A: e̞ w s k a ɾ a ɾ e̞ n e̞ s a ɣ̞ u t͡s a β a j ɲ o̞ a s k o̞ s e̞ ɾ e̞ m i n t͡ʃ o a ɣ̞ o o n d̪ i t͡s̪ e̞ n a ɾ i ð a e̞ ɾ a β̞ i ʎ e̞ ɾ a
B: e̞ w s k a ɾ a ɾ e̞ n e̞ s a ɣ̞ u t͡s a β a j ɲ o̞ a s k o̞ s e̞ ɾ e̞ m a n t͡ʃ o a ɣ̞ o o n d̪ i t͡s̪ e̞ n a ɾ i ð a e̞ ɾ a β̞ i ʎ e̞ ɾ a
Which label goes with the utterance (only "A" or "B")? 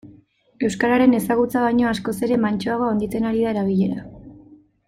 B